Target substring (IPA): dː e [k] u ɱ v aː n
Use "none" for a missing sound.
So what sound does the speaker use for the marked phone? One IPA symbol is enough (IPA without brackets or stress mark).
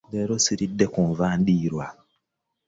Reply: k